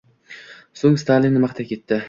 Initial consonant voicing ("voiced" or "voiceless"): voiceless